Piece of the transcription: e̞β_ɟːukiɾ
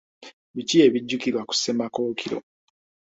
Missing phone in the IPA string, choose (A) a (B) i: B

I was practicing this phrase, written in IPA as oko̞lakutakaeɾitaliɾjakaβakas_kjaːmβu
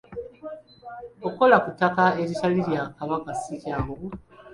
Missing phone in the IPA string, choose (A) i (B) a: A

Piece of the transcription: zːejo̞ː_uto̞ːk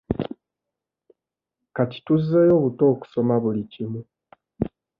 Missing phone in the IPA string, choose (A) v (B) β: B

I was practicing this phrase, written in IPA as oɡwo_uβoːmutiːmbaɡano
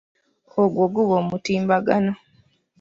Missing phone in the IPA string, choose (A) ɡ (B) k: A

